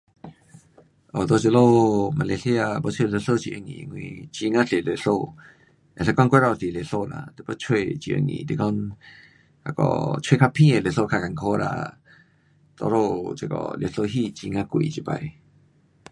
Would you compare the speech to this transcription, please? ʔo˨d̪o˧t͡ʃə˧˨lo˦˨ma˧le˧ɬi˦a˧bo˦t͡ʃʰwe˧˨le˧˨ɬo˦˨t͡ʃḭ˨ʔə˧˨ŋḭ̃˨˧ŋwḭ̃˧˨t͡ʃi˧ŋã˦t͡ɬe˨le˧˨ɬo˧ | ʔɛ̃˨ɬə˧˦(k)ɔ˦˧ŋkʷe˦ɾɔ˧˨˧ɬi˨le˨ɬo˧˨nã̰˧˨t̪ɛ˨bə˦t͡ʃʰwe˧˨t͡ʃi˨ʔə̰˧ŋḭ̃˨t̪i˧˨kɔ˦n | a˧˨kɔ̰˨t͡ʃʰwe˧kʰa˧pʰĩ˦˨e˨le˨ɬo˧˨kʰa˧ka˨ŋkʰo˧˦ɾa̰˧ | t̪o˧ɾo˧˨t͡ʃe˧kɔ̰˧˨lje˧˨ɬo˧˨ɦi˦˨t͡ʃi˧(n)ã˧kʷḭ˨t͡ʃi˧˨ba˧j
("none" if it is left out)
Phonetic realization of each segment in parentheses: k, ŋ

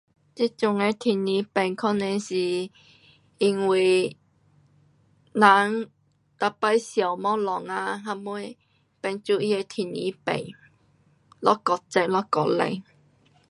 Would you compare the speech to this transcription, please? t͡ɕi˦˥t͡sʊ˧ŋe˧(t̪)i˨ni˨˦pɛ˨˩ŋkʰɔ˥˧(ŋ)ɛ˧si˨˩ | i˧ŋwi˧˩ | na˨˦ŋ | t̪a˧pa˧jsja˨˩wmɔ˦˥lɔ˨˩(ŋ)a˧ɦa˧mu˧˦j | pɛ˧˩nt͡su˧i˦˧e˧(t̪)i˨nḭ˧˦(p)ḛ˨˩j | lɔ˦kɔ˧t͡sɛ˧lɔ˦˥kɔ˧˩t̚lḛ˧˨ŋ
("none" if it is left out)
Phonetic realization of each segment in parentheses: t̪ʰ, n, ŋ, t̪ʰ, p

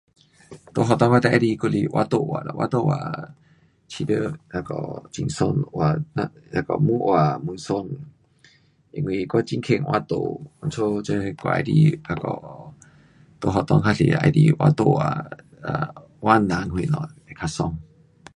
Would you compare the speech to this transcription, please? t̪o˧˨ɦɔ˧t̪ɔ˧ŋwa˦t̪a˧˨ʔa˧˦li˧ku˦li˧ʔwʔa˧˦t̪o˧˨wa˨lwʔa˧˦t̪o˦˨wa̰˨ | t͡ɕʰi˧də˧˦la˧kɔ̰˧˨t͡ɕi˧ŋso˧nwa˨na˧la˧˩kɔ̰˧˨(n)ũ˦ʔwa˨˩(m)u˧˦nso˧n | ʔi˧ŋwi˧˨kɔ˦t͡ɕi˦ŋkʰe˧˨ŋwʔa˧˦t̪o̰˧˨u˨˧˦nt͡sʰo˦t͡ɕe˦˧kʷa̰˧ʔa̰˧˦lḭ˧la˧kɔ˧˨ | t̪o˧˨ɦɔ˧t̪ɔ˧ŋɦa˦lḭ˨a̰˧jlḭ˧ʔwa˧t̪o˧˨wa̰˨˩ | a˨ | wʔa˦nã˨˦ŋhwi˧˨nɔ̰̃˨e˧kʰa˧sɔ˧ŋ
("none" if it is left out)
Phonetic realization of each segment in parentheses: m, m

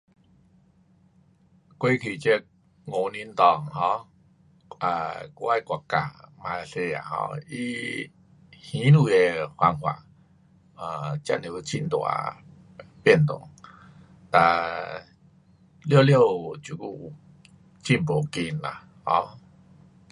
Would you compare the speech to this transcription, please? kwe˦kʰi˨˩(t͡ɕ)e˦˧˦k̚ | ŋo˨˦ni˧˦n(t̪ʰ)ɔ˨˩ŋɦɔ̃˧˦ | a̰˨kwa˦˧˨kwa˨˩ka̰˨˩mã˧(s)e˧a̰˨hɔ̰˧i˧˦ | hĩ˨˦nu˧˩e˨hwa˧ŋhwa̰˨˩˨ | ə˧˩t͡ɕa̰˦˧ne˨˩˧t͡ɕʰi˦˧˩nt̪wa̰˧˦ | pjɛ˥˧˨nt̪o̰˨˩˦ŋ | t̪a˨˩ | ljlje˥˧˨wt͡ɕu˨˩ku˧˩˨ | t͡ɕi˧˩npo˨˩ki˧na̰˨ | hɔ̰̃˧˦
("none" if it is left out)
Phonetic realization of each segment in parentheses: t͡ɕ, t̪, s

